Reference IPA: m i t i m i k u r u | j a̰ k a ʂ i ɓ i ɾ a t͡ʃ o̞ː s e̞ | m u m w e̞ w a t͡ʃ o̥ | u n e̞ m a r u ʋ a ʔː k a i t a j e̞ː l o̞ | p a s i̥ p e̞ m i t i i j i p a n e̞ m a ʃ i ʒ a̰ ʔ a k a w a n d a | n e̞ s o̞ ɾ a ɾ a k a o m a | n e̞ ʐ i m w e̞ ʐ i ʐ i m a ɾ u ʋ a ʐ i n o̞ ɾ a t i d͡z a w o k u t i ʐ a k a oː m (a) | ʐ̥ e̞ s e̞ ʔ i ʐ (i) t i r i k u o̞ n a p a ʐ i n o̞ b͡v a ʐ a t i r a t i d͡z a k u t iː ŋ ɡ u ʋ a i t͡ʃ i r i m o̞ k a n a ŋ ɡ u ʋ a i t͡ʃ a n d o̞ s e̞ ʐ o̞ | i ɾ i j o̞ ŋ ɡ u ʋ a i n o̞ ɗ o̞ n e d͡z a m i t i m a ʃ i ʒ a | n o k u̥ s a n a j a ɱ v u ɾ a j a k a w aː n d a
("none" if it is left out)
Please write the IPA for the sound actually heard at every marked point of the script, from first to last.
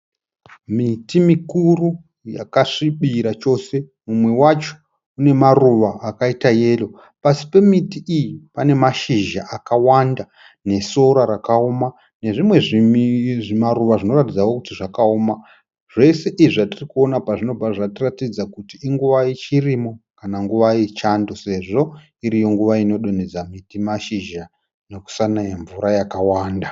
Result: a, a

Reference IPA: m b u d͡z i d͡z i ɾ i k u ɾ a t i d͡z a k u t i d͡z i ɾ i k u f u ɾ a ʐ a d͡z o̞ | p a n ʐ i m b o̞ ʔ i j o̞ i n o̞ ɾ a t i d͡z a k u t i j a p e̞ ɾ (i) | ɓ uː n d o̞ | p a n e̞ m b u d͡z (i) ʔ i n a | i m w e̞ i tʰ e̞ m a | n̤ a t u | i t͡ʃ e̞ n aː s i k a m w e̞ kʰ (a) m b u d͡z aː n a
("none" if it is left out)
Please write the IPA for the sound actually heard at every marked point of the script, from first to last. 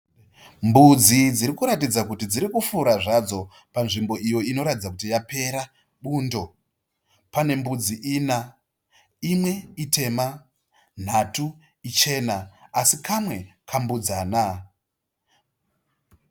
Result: a, i, a

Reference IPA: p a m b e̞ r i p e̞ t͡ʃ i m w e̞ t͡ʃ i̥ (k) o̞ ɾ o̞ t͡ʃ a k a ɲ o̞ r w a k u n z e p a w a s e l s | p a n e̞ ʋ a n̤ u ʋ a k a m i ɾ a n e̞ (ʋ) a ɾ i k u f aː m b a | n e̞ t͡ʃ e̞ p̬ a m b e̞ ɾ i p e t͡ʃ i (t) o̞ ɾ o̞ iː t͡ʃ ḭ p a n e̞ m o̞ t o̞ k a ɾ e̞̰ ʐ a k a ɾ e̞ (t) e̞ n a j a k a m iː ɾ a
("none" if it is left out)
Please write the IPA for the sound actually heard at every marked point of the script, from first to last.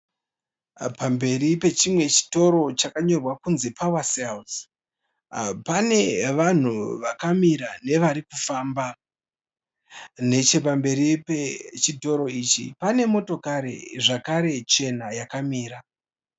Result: t, ʋ, t, t͡ʃ

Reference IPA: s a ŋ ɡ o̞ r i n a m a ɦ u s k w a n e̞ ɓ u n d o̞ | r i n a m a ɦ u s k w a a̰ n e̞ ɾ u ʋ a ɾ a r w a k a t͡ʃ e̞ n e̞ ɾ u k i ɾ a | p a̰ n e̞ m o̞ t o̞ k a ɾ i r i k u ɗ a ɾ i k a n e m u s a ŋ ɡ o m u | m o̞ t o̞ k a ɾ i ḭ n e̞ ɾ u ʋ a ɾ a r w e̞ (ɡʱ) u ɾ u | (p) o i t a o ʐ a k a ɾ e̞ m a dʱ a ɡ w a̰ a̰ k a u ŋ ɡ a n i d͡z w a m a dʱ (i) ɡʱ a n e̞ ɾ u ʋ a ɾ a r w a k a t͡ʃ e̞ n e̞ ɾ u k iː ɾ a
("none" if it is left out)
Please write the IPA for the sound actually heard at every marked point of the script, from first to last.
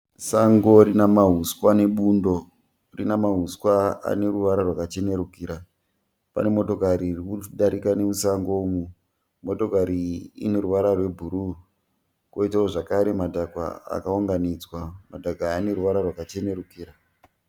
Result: bʱ, k, a

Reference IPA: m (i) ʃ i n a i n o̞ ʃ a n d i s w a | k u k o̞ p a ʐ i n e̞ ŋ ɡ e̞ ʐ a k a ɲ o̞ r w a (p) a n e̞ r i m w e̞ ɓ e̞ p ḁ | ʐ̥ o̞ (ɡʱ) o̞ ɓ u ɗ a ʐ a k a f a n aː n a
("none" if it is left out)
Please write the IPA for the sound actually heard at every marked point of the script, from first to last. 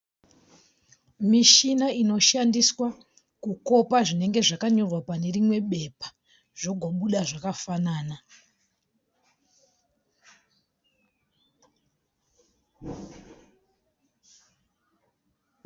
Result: i, p, ɡʱ

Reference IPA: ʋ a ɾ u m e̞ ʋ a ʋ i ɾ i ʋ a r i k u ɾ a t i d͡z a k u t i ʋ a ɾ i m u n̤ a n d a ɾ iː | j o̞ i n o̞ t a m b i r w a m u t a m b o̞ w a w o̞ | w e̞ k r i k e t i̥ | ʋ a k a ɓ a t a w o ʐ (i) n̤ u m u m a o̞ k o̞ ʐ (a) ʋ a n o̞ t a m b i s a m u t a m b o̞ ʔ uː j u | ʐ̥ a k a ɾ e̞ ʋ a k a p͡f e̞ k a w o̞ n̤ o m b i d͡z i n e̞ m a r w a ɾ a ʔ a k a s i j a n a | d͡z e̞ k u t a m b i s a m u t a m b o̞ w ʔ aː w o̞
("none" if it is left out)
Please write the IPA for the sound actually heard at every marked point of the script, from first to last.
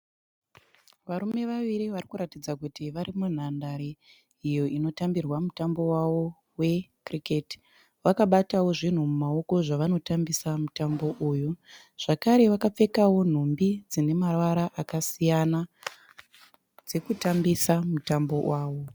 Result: i, a

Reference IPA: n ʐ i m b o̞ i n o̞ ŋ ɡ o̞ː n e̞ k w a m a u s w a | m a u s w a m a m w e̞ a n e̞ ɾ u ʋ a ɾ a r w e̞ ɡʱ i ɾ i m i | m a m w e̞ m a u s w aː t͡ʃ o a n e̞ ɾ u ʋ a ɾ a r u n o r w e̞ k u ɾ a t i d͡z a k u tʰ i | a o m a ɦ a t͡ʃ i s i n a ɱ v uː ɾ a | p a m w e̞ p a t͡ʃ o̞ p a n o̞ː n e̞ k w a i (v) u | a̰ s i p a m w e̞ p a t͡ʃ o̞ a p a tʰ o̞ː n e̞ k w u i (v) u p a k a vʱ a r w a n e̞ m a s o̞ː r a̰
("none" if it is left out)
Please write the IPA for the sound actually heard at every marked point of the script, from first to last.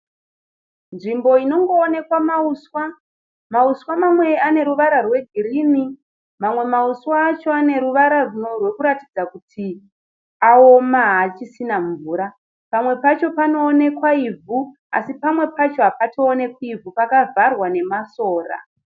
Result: v, v

